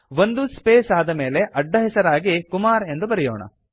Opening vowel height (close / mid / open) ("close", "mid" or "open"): mid